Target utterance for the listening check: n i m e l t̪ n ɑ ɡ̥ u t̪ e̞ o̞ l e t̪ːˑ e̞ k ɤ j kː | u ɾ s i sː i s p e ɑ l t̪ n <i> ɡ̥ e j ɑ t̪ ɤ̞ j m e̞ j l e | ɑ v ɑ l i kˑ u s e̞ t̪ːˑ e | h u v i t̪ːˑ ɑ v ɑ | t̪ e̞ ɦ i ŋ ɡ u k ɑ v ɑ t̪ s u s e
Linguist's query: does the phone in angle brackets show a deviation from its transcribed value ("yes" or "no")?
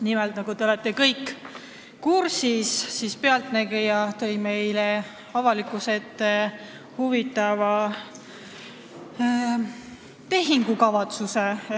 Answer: yes